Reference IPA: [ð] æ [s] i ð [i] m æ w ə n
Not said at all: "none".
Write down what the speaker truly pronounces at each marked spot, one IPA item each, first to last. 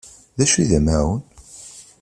ð, ʃ, æ

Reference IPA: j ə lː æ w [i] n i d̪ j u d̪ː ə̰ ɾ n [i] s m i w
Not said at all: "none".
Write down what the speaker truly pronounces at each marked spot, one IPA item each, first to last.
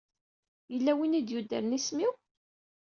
i, i

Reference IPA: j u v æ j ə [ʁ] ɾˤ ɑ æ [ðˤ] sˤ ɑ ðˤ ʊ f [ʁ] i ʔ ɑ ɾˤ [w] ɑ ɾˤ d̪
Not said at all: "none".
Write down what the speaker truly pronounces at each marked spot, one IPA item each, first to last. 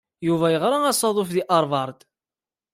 ʁ, none, ð, v

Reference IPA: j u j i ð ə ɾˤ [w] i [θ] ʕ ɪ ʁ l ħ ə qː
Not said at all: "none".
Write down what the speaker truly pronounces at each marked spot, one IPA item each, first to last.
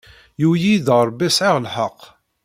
b, s

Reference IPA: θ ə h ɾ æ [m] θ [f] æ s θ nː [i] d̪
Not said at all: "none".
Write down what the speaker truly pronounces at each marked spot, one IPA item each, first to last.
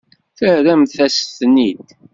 m, θ, i

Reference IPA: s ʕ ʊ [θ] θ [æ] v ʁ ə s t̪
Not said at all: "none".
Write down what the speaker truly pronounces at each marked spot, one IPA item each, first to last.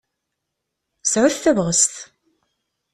θ, æ

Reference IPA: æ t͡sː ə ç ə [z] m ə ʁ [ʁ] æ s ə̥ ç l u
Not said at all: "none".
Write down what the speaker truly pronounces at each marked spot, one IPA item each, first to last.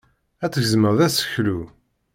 z, ð

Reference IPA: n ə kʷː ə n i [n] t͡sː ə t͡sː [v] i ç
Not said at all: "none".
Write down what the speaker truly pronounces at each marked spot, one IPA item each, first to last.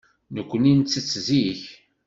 n, z

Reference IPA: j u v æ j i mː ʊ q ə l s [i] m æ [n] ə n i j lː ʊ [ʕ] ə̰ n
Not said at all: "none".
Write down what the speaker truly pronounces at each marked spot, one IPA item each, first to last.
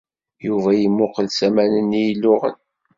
æ, n, ʁ

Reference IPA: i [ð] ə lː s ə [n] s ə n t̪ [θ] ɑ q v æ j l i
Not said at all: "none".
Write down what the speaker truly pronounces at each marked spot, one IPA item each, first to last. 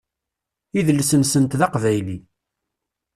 ð, n, ð

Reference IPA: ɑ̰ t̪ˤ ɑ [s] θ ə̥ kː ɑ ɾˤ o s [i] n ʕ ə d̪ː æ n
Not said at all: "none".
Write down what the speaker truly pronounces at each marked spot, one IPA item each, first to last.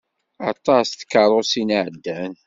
s, i

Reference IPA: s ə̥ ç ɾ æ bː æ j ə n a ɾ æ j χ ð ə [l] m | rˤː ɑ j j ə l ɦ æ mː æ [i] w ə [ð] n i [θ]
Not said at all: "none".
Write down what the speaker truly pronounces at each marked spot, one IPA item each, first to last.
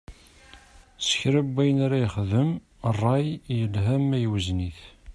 none, j, z, θ

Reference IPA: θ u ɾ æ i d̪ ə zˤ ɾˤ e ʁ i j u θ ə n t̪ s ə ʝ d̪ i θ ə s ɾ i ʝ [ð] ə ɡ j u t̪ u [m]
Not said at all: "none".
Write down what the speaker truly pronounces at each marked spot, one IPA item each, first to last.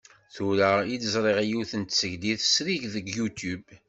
ð, b

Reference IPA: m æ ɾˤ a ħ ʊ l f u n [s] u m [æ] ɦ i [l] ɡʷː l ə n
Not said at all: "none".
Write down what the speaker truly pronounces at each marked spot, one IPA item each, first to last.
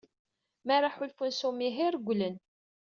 s, i, ɾ

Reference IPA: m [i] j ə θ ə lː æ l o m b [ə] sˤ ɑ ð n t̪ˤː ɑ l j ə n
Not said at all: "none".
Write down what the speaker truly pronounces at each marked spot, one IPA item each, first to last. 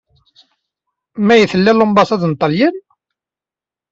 æ, ɑ

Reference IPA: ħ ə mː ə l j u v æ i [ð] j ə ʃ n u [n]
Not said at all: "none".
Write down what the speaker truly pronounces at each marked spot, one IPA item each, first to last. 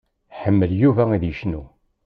ð, none

